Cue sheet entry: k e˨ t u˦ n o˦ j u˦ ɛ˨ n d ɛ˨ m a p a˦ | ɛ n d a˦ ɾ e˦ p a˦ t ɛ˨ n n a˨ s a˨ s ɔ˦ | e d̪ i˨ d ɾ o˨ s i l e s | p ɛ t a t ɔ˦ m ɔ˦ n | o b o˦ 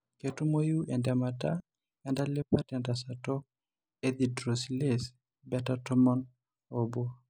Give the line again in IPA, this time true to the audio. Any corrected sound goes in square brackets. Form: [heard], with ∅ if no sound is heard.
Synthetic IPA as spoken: k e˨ t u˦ [m] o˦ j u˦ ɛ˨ n d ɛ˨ m a [t] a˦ | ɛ n d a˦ [l] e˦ p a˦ t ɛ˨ n [d] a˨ s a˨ [t] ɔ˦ | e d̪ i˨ d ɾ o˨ s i l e s | [b] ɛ t a t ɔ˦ m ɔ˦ n | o b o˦